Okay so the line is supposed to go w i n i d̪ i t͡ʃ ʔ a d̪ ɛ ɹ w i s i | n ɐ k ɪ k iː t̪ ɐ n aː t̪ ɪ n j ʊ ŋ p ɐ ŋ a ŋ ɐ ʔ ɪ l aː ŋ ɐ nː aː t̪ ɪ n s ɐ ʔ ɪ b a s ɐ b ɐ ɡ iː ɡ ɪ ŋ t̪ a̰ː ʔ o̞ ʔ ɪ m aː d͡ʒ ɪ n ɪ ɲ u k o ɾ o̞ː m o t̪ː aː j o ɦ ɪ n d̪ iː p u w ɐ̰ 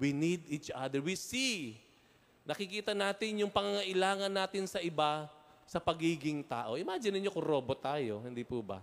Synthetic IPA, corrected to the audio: w i n i d̪ i t͡ʃ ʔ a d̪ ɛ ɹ w i s i | n ɐ k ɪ k iː t̪ ɐ n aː t̪ ɪ n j ʊ ŋ p ɐ ŋ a ŋ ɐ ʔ ɪ l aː ŋ ɐ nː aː t̪ ɪ n s ɐ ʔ ɪ b a s ɐ p ɐ ɡ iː ɡ ɪ ŋ t̪ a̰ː ʔ o̞ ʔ ɪ m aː d͡ʒ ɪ n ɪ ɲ o k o ɾ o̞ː b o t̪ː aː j o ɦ ɪ n d̪ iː p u b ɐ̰